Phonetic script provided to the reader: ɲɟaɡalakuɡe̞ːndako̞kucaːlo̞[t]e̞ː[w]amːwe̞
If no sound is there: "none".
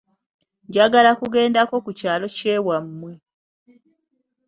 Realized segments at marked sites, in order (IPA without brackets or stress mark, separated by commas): c, w